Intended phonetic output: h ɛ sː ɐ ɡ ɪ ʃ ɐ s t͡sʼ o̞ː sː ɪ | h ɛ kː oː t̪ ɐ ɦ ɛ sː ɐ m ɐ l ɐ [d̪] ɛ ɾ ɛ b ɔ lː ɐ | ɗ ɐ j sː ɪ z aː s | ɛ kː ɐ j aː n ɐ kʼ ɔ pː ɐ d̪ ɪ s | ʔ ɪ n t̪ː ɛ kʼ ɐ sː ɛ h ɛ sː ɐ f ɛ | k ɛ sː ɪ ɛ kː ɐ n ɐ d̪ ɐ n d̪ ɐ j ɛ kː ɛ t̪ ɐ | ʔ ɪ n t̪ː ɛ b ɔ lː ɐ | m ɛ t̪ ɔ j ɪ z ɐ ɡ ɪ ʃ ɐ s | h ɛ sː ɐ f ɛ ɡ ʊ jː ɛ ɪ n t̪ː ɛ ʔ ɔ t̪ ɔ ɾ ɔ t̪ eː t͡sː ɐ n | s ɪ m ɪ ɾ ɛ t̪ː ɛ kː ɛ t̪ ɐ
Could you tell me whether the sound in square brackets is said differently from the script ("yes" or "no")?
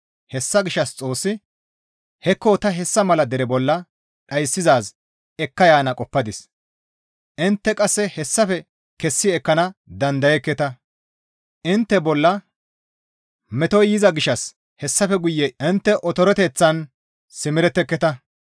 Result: no